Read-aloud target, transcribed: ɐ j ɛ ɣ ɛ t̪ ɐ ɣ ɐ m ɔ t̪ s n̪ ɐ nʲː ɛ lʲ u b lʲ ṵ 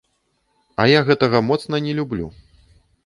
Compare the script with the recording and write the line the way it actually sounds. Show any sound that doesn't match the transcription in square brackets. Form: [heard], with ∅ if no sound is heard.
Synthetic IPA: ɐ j [a] ɣ ɛ t̪ ɐ ɣ ɐ m ɔ t̪ s n̪ ɐ [nʲ] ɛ lʲ u b lʲ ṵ